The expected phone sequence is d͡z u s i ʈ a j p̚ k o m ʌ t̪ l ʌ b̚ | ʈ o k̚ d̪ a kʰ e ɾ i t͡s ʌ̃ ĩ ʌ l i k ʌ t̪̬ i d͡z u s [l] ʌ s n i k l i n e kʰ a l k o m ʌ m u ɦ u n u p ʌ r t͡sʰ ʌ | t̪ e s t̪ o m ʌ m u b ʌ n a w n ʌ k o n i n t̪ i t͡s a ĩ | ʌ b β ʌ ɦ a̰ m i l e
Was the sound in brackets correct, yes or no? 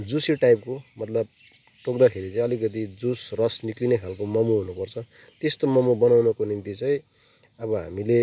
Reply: no